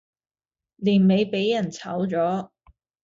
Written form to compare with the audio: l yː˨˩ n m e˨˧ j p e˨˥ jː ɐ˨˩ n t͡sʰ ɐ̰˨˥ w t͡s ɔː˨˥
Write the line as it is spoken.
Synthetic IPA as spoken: l iː˨˩ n m e˨˧ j p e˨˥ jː ɐ˨˩ n t͡sʰ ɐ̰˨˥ w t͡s ɔː˨˥